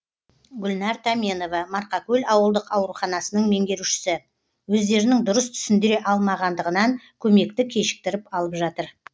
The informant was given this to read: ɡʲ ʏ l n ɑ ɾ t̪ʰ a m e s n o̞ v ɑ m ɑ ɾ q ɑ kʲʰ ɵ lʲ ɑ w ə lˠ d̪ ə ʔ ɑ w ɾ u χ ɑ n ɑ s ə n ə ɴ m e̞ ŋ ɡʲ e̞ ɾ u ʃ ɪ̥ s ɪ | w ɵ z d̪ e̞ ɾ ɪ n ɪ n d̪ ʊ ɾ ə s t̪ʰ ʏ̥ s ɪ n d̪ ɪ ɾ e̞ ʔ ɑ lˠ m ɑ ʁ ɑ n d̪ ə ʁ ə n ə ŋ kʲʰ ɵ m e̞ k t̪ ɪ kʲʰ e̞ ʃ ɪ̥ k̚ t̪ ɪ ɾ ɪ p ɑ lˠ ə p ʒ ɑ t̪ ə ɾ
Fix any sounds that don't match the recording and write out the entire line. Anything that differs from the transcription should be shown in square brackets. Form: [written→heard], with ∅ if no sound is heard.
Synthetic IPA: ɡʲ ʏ l n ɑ ɾ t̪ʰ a m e [s→∅] n o̞ v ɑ m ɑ ɾ q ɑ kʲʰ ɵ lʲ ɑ w ə lˠ d̪ ə [ʔ→q] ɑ w ɾ u χ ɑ n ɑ s ə n ə ɴ m e̞ ŋ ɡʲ e̞ ɾ u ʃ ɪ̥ s ɪ | w ɵ z d̪ e̞ ɾ ɪ n ɪ [n→ŋ] d̪ ʊ ɾ ə s t̪ʰ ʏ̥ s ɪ n d̪ ɪ ɾ e̞ ʔ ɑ lˠ m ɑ ʁ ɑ n d̪ ə ʁ ə n [ə→ɑ] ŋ kʲʰ ɵ m e̞ k t̪ ɪ kʲʰ e̞ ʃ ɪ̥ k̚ t̪ ɪ ɾ ɪ p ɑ lˠ ə p ʒ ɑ t̪ ə ɾ